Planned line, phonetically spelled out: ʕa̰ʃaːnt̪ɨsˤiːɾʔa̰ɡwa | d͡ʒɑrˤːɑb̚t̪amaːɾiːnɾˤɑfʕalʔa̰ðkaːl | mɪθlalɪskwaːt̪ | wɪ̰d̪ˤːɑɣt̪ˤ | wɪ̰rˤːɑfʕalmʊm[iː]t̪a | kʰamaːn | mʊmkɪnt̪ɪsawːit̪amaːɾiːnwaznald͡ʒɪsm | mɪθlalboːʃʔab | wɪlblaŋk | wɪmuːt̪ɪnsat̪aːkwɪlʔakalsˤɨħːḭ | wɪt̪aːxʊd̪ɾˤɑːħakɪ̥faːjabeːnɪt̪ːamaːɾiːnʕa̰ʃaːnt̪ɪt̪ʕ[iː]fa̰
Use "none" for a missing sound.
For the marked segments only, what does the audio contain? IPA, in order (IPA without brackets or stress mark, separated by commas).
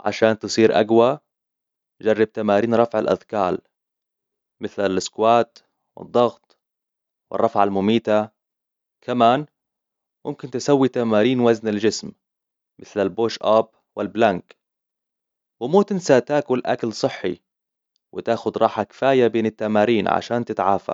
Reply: iː, aː